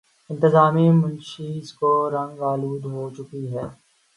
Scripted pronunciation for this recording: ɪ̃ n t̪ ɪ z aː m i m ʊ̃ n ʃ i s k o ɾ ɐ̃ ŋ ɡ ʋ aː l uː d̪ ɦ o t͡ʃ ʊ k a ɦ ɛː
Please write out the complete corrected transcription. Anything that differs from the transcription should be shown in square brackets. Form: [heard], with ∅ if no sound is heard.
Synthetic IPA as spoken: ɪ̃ n t̪ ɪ z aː m i m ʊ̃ n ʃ i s k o ɾ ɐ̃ ŋ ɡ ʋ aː l uː d̪ ɦ o t͡ʃ ʊ k [i] ɦ ɛː